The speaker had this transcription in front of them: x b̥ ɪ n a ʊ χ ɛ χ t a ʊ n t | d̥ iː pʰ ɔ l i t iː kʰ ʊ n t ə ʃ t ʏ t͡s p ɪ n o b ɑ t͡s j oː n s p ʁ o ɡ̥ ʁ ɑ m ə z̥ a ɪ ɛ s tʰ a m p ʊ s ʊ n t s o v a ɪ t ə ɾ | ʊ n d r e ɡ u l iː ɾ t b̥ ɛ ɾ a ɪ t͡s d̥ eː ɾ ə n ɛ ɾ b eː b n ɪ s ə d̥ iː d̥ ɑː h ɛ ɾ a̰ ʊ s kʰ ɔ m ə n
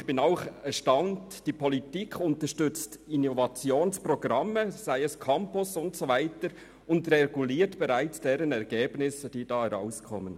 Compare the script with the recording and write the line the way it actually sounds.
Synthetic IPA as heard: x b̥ ɪ n a ʊ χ ɛ ʃ t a ʊ n t | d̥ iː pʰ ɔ l i t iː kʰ ʊ n t ə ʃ t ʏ t͡s t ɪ n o v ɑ t͡s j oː n s p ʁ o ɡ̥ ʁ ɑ m ə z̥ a ɪ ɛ s kʰ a m p ʊ s ʊ n t s o v a ɪ t ə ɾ | ʊ n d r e ɡ u l iː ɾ t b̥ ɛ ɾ a ɪ t͡s d̥ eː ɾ ə n ɛ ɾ ɡ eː b n ɪ s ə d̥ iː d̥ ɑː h ɛ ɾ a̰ ʊ s kʰ ɔ m ə n